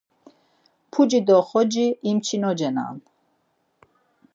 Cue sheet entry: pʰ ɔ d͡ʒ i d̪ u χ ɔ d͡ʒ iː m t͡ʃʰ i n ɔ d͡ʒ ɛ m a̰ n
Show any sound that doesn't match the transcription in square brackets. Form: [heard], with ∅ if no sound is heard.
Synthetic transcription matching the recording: pʰ [u] d͡ʒ i d̪ [ɔ] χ ɔ d͡ʒ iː m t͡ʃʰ i n ɔ d͡ʒ ɛ [n] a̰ n